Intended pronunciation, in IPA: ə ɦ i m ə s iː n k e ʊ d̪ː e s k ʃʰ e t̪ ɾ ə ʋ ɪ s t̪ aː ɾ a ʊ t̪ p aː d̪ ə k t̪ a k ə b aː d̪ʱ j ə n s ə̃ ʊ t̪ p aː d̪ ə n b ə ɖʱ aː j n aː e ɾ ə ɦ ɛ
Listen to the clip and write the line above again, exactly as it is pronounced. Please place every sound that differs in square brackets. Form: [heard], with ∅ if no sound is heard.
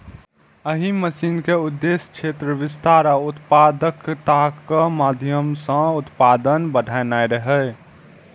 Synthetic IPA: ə ɦ i m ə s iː n k e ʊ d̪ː e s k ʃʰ e t̪ ɾ ə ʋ ɪ s t̪ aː ɾ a ʊ t̪ p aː d̪ ə k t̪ a k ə [m] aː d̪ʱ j ə [m] s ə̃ ʊ t̪ p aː d̪ ə n b ə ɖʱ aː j n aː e ɾ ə ɦ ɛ